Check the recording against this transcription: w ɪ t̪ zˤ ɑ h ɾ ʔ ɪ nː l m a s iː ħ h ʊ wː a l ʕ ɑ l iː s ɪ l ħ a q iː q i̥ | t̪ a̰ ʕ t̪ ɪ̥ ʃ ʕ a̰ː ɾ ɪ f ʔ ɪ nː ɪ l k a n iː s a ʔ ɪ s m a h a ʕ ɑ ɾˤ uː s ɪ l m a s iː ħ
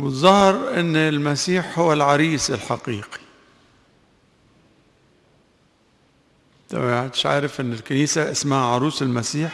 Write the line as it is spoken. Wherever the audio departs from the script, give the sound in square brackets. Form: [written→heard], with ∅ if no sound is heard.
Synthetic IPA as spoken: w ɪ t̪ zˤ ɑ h ɾ ʔ ɪ nː l m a s iː ħ h ʊ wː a l ʕ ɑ [l→ɾ] iː s ɪ l ħ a q iː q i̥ | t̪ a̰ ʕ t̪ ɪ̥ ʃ ʕ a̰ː ɾ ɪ f ʔ ɪ nː ɪ l k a n iː s a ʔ ɪ s m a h a ʕ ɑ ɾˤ uː s ɪ l m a s iː ħ